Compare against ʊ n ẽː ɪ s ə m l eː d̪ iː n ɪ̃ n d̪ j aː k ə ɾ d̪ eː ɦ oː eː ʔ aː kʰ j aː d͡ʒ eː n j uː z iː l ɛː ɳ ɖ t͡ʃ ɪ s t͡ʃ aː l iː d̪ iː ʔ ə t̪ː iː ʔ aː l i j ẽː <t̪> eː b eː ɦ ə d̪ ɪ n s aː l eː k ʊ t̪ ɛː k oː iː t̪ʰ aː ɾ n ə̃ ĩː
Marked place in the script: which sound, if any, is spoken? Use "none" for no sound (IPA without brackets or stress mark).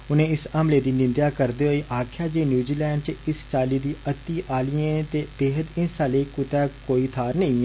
t̪